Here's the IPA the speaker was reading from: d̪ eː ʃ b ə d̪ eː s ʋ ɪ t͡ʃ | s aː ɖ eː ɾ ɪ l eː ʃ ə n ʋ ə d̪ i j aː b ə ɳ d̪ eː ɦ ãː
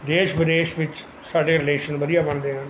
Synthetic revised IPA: d̪ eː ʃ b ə d̪ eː ʃ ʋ ɪ t͡ʃ | s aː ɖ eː ɾ ɪ l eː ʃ ə n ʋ ə d̪ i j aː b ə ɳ d̪ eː ɦ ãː